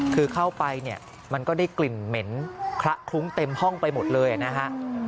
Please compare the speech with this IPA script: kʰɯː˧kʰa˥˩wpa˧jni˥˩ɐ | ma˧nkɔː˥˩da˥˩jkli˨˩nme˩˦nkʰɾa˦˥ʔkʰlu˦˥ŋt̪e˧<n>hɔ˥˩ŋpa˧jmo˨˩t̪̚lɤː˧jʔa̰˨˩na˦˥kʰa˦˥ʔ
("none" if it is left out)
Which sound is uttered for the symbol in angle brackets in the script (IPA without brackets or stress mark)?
m